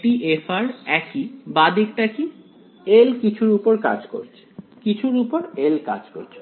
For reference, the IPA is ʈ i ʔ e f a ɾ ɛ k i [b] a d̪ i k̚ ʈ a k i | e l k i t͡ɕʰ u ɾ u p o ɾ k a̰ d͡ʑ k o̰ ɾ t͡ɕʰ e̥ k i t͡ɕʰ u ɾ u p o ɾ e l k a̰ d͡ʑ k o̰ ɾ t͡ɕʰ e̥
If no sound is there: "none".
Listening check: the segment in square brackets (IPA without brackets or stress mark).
b